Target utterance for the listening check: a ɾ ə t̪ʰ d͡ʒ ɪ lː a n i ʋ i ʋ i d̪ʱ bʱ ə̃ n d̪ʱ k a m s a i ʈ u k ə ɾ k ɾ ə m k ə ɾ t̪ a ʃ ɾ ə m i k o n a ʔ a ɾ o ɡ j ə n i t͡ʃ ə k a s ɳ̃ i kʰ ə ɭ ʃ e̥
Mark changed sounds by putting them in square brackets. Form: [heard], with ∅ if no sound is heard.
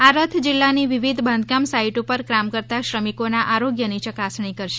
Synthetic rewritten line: a ɾ ə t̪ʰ d͡ʒ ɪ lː a n i ʋ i ʋ i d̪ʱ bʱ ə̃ n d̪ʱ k a m s a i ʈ u [p] ə ɾ k ɾ [a] m k ə ɾ t̪ a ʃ ɾ ə m i k o n a ʔ a ɾ o ɡ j ə n i t͡ʃ ə k a s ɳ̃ i [k] ə [ɾ] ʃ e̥